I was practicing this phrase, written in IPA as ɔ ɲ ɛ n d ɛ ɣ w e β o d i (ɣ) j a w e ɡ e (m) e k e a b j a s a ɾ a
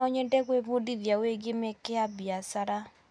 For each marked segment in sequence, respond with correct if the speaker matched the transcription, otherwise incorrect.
incorrect: ð, correct

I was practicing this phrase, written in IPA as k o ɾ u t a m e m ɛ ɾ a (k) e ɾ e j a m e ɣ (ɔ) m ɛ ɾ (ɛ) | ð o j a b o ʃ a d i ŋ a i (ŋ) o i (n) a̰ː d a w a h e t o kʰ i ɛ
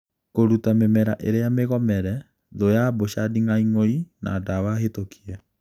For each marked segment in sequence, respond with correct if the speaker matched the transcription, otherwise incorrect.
incorrect: ʔ, correct, correct, correct, correct

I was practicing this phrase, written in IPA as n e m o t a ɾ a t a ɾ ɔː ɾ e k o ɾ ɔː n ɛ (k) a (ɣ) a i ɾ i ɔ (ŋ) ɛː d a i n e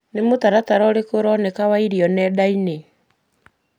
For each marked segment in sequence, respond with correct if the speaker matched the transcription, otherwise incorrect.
correct, incorrect: w, incorrect: n

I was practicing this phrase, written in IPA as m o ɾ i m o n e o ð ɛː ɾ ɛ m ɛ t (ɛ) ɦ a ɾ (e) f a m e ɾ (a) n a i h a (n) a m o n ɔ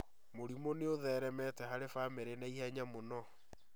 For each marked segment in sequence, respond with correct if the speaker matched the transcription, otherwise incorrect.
correct, correct, incorrect: e, incorrect: ɲ

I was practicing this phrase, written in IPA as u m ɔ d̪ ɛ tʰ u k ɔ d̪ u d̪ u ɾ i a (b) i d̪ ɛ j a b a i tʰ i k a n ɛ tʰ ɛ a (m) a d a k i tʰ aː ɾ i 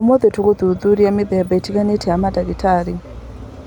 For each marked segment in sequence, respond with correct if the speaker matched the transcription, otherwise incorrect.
incorrect: m, correct

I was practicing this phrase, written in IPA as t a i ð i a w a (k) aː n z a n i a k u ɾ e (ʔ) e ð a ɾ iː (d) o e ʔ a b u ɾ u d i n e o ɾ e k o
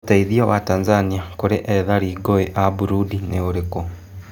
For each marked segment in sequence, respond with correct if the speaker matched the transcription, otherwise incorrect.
incorrect: t, correct, incorrect: ɡ

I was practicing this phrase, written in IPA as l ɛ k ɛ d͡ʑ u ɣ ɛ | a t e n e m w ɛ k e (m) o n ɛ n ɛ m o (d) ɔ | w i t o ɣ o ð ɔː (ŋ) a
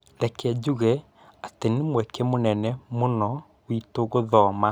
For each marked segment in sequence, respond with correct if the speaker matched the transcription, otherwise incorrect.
correct, incorrect: n, incorrect: m

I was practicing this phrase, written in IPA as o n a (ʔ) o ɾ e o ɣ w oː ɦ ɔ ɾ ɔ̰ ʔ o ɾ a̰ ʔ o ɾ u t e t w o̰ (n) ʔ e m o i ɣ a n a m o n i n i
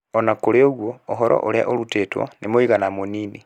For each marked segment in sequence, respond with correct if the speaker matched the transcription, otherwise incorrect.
incorrect: k, correct

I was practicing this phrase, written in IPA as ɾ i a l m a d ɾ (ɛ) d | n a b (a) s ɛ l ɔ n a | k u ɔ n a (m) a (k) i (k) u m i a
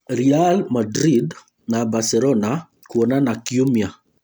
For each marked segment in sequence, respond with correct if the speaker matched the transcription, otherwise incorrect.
incorrect: i, correct, incorrect: n, correct, incorrect: none

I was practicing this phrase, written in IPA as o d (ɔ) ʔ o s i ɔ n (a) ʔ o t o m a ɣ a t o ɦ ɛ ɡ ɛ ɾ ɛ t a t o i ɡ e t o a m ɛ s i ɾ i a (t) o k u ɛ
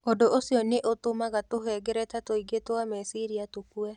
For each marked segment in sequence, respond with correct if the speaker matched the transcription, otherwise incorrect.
incorrect: o, incorrect: e, correct

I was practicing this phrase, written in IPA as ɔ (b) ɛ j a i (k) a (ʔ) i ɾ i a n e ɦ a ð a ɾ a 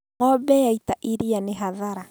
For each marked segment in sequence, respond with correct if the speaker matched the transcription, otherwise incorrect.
correct, incorrect: t, correct

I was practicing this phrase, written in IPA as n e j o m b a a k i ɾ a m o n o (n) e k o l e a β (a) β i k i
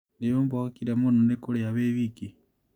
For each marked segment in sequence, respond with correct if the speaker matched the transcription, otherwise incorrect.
correct, incorrect: e

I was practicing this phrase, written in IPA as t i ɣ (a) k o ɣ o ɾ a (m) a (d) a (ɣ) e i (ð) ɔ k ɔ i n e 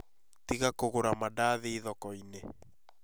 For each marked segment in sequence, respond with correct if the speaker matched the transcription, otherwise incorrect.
correct, correct, correct, incorrect: ð, correct

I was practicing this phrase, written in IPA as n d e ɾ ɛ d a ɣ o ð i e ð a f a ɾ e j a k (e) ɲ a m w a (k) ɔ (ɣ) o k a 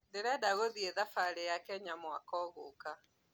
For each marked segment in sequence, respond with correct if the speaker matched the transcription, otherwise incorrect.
incorrect: ɛ, correct, correct

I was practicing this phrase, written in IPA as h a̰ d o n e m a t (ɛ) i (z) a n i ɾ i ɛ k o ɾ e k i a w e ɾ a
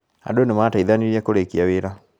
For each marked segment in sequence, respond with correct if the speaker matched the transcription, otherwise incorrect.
incorrect: a, incorrect: ð

